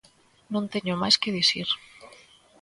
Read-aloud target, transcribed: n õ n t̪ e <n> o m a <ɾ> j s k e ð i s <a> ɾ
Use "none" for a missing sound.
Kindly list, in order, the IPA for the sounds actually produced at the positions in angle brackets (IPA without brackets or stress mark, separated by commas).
ɲ, none, i